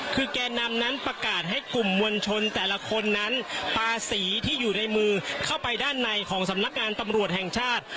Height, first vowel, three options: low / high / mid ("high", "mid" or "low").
high